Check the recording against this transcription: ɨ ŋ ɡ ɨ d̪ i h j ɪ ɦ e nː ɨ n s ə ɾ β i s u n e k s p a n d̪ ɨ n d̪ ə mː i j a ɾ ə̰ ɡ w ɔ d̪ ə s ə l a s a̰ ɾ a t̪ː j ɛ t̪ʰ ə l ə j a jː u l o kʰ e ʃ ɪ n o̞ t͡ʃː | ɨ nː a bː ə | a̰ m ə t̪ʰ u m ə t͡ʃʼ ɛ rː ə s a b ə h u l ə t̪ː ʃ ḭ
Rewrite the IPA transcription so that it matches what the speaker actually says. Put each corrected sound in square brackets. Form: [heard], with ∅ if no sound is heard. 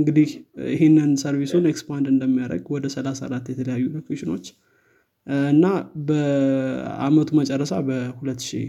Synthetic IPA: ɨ ŋ ɡ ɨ d̪ i h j ɪ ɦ e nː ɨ n s ə ɾ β i s u n e k s p a n d̪ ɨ n d̪ ə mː i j a ɾ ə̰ ɡ w ɔ d̪ ə s ə l a s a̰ ɾ a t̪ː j ɛ t̪ʰ ə l ə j a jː u l o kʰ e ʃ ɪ n o̞ t͡ʃː | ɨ nː a [b] ə | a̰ m ə t̪ʰ u m ə t͡ʃʼ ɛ rː ə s a b ə h u l ə t̪ː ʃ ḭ